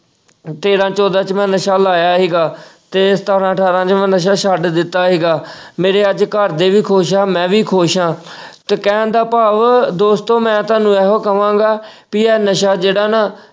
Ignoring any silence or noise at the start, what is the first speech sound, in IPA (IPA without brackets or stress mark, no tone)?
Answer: t̪